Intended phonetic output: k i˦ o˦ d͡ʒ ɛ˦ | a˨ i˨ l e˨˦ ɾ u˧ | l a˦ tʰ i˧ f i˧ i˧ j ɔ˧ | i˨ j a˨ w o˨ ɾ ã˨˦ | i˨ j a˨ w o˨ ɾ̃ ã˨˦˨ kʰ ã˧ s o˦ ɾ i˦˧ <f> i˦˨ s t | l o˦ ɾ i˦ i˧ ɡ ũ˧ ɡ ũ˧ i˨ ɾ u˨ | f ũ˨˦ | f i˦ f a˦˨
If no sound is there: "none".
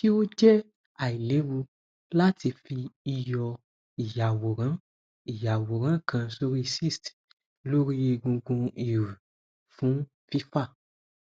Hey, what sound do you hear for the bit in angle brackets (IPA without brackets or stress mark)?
s